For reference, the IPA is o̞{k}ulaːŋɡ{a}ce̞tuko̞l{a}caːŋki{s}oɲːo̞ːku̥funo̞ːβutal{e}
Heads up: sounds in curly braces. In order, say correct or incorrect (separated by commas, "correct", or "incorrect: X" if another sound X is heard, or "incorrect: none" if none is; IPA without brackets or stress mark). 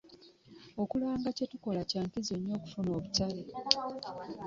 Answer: correct, correct, correct, incorrect: z, correct